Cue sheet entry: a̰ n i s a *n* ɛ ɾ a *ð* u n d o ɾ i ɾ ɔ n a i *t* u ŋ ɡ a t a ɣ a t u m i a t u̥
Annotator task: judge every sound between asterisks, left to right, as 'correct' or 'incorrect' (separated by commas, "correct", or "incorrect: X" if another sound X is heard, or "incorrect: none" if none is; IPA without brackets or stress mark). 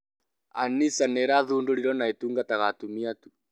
correct, correct, correct